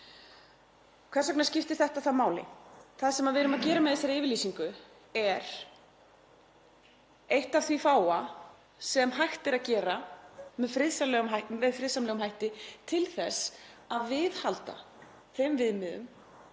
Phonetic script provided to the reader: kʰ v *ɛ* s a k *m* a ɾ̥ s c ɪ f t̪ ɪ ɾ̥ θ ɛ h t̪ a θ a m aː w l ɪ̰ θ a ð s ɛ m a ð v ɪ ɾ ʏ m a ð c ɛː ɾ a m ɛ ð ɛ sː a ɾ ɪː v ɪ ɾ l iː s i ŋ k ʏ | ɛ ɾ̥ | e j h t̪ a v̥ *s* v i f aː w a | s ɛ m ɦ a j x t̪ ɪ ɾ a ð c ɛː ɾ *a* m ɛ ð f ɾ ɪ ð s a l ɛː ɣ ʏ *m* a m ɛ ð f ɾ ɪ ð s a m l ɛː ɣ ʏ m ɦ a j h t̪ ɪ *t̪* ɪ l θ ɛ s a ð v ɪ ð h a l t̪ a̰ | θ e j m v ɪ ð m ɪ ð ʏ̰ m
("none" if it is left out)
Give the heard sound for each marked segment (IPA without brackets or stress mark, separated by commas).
ɛ, n, θ, a, m, t̪ʰ